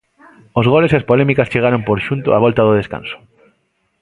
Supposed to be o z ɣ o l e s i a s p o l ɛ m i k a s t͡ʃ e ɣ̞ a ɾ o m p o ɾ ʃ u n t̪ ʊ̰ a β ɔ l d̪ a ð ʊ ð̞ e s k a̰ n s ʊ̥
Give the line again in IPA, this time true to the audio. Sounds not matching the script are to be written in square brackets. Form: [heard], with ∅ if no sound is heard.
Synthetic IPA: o z ɣ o l e s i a s p o l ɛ m i k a s t͡ʃ e ɣ̞ a ɾ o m p o ɾ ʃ u n t̪ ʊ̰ a β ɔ l [t̪] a ð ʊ ð̞ e s k a̰ n s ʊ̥